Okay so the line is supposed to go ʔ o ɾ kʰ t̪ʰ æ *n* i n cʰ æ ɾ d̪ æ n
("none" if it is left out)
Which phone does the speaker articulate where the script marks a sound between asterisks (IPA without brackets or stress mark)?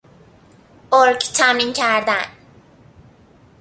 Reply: m